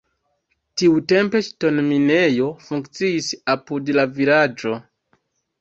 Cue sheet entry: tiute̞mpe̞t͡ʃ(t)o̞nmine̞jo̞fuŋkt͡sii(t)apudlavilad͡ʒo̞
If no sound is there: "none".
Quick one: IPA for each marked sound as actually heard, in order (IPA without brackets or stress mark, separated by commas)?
t, s